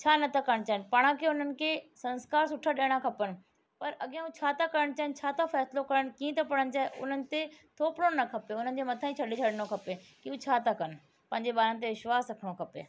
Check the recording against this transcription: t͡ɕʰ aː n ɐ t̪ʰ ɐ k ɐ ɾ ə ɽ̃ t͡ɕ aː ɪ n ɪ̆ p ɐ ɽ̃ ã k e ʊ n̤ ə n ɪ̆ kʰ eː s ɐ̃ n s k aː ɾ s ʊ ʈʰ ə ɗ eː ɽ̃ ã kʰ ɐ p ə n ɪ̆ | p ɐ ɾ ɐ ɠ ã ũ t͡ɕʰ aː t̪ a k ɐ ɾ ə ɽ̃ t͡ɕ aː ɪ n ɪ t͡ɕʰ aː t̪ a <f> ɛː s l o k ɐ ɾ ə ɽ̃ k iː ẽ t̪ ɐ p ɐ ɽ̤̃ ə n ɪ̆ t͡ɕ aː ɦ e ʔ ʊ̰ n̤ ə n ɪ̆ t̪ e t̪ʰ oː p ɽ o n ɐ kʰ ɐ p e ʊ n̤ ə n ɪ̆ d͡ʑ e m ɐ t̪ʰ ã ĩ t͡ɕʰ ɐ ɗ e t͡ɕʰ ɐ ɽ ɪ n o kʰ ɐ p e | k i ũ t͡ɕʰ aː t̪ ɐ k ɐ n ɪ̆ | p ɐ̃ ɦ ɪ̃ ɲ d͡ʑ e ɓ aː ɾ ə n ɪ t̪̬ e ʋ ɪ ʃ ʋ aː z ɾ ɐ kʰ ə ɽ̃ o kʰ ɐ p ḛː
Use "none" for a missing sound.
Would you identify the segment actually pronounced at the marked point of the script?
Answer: f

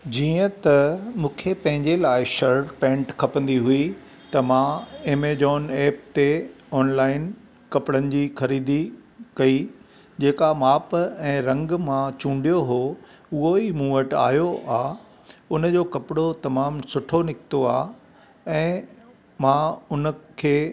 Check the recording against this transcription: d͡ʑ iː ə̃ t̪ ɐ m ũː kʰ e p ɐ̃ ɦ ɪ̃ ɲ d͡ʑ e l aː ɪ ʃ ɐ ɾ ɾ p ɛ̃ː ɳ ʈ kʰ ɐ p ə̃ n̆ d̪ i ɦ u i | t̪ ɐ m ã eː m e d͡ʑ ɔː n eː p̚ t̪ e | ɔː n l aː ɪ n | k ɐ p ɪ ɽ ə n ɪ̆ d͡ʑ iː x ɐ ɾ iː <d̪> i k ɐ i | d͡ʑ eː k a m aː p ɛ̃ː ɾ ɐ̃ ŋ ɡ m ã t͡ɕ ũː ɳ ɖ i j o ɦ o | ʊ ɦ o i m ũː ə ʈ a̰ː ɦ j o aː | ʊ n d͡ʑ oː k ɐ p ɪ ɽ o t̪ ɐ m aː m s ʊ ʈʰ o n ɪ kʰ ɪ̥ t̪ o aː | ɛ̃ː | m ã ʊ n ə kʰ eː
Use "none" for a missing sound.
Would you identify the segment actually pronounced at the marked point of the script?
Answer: d̪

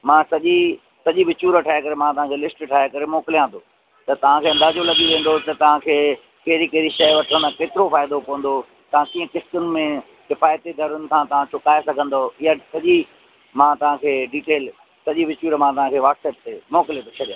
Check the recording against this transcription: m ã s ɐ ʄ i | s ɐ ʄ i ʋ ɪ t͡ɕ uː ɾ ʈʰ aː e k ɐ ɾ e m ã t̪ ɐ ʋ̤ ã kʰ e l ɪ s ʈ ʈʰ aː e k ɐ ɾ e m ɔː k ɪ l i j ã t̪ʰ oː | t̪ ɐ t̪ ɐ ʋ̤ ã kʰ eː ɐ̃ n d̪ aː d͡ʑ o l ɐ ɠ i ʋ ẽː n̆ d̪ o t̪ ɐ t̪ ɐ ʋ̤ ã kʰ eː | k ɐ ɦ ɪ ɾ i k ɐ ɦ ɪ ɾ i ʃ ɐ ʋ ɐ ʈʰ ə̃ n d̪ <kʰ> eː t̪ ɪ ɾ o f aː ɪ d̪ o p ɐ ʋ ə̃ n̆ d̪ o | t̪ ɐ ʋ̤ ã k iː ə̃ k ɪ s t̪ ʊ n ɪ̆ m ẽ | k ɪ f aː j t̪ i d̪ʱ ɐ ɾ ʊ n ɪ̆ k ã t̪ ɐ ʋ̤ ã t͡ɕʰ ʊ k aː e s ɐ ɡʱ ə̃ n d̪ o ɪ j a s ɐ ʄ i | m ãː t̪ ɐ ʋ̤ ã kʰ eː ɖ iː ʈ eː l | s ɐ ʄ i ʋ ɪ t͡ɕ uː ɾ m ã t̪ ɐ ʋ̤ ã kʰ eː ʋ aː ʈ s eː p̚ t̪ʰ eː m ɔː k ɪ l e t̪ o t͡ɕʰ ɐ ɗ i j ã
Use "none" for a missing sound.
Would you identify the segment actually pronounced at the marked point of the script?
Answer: k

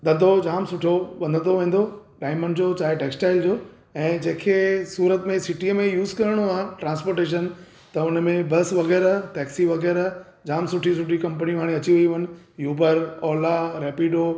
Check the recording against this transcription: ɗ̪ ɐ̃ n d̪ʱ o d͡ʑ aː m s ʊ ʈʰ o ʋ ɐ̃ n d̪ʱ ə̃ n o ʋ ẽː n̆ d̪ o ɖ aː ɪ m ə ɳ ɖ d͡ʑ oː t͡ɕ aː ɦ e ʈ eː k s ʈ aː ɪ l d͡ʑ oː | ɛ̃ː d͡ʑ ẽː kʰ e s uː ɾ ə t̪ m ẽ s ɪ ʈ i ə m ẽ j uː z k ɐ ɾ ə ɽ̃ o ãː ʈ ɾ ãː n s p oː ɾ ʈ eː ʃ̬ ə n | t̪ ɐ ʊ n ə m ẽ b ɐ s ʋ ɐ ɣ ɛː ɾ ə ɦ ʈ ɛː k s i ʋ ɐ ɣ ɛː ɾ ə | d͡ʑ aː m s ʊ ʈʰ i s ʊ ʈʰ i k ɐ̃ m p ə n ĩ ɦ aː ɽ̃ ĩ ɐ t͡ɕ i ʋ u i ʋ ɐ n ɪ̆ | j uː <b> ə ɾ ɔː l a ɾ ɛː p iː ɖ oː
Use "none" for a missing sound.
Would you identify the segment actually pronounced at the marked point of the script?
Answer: b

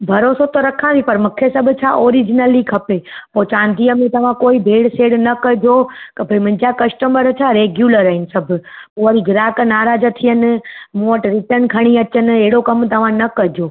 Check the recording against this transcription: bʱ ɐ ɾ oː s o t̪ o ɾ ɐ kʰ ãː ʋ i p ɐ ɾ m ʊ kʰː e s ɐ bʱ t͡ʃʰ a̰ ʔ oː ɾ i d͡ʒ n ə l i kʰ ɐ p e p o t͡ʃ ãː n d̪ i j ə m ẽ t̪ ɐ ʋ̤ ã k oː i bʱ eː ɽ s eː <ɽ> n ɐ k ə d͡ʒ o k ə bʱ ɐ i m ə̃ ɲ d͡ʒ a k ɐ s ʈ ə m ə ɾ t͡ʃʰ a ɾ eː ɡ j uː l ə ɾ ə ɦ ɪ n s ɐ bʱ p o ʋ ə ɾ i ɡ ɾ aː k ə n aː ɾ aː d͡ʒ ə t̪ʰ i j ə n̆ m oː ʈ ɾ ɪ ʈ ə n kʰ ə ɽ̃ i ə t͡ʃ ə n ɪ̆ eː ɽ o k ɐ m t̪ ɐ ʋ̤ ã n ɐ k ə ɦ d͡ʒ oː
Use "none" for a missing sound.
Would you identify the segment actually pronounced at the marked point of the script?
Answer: ɽ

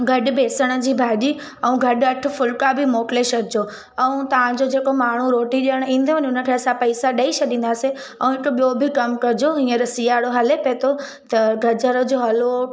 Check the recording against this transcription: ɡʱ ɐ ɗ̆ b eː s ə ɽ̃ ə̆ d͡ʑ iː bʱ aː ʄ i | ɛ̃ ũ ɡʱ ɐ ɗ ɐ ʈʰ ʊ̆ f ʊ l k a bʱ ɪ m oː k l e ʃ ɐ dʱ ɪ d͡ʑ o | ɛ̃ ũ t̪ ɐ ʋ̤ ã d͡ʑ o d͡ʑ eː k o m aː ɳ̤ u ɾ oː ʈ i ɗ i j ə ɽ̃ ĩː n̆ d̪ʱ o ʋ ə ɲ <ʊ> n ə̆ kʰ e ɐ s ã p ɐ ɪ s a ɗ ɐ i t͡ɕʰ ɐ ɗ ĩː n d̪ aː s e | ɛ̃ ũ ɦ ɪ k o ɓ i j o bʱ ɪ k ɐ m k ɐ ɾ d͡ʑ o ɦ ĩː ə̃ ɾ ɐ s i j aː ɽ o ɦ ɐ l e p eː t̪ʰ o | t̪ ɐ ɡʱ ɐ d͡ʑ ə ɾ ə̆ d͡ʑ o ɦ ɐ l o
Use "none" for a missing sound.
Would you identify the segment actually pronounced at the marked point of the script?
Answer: ʊ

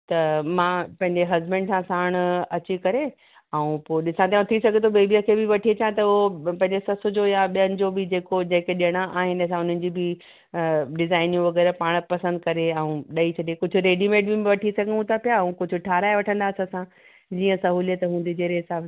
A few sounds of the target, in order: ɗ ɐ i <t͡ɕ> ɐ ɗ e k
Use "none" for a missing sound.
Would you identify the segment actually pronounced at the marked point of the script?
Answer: t͡ɕʰ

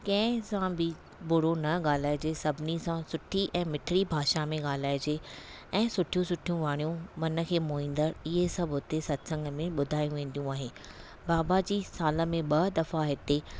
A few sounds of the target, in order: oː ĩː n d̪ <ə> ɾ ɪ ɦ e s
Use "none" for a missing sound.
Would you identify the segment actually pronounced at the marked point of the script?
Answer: ə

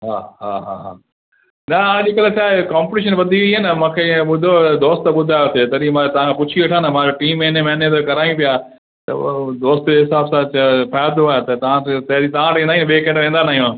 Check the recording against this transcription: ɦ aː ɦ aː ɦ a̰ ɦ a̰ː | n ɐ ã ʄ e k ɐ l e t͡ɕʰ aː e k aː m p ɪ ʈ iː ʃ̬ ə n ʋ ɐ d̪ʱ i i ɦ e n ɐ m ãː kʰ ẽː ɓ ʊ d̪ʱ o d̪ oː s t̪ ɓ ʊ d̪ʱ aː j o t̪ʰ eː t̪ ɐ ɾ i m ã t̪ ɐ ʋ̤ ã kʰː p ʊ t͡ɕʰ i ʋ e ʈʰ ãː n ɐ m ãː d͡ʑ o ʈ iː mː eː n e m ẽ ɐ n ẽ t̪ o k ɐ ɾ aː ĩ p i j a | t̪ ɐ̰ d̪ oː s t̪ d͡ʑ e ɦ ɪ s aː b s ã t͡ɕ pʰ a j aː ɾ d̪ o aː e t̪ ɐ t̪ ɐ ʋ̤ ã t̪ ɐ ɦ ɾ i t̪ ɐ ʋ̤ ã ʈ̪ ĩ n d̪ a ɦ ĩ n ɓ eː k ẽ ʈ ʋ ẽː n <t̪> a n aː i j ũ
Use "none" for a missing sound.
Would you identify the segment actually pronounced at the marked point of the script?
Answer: d̪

